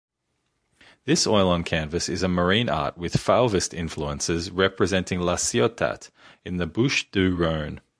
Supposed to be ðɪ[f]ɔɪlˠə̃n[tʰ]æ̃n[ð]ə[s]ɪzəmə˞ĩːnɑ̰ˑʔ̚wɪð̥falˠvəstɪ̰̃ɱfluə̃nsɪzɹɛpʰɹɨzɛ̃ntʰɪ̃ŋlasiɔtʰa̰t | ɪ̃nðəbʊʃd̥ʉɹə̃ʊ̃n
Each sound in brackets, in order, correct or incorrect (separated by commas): incorrect, incorrect, incorrect, correct